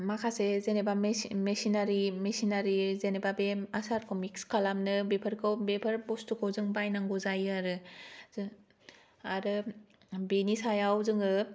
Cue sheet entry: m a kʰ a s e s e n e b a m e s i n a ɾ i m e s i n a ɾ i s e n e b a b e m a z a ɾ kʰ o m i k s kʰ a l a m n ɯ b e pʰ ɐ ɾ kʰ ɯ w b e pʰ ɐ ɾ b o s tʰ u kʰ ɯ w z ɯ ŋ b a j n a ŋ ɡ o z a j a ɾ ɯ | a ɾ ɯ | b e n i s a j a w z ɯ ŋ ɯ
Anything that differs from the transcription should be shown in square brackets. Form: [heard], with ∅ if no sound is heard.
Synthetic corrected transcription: m a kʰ a s e [z] e n e b a m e s i n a ɾ i m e s i n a ɾ i [z] e n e b a b e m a [s] a ɾ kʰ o m i k s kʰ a l a m n ɯ b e pʰ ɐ ɾ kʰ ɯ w b e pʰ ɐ ɾ b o s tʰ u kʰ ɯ w z ɯ ŋ b a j n a ŋ ɡ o z a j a ɾ ɯ | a ɾ ɯ | b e n i s a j a w z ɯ ŋ ɯ